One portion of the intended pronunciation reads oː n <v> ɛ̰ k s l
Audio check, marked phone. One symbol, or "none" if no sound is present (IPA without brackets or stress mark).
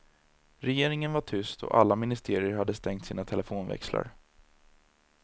v